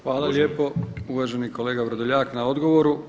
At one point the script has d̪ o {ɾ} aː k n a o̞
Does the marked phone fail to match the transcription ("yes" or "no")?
yes